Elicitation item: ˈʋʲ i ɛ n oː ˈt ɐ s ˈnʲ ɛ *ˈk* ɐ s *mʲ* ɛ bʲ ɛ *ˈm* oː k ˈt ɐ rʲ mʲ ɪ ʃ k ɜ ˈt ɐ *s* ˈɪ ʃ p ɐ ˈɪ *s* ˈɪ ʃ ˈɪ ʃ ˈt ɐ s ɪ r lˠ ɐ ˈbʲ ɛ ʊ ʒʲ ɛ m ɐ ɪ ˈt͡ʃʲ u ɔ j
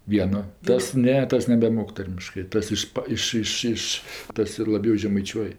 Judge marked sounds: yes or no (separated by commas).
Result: no, no, yes, yes, no